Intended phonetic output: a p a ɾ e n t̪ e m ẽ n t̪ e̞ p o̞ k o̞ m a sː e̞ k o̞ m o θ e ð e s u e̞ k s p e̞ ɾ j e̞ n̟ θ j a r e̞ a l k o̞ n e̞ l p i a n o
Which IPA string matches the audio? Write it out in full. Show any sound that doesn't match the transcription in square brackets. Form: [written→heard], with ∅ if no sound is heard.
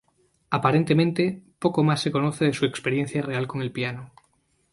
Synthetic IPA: a p a ɾ e n t̪ e m ẽ n t̪ e̞ p o̞ k o̞ m a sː e̞ k o̞ [m→n] o θ e ð e s u e̞ k s p e̞ ɾ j e̞ n̟ θ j a r e̞ a l k o̞ [n→ŋ] e̞ l p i a n o